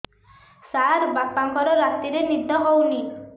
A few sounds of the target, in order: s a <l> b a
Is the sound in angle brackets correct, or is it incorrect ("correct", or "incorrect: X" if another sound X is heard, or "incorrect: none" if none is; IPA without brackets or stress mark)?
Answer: incorrect: ɾ